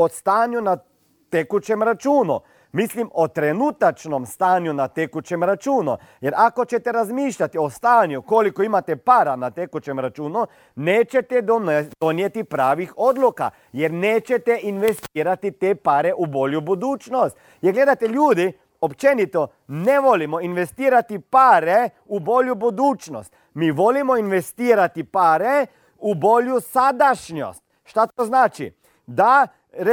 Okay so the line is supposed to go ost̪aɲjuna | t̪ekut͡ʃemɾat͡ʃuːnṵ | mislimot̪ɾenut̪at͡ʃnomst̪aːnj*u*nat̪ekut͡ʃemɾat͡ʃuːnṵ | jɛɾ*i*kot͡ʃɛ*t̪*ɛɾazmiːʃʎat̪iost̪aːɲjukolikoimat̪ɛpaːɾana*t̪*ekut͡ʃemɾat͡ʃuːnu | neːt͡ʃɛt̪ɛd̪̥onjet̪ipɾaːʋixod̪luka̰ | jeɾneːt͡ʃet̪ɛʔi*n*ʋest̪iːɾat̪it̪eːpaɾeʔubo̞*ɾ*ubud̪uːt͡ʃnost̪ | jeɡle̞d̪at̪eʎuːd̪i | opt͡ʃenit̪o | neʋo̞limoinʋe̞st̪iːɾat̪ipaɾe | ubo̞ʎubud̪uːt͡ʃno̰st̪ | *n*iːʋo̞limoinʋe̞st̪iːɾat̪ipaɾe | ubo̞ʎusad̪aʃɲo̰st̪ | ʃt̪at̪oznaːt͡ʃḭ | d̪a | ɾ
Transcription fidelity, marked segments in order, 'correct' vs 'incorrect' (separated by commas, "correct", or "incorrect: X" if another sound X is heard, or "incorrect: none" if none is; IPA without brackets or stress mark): correct, incorrect: a, correct, correct, correct, incorrect: ʎ, incorrect: m